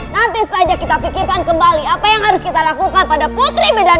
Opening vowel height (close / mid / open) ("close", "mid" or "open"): open